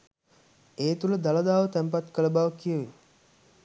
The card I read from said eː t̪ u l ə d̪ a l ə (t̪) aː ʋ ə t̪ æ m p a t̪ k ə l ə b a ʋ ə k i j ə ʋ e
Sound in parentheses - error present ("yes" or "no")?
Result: yes